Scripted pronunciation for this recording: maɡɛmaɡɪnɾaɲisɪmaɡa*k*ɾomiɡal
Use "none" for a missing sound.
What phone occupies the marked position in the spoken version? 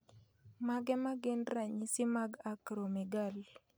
k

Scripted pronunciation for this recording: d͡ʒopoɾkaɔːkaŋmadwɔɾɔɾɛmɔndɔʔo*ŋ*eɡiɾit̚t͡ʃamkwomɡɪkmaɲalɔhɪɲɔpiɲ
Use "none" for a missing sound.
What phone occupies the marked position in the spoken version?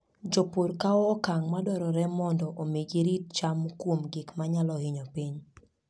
m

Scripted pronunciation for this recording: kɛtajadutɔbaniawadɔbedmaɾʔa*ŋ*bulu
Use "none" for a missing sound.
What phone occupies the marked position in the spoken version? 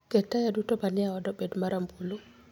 m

